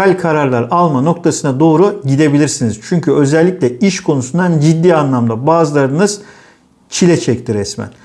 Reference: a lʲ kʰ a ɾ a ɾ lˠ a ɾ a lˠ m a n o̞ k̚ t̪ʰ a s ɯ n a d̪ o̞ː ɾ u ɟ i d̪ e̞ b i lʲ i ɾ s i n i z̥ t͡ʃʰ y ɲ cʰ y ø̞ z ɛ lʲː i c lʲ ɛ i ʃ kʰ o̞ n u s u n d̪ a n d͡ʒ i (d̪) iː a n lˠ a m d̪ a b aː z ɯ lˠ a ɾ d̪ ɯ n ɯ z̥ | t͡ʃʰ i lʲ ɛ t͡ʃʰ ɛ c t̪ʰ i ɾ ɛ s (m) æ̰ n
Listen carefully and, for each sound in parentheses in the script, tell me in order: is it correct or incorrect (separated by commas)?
incorrect, correct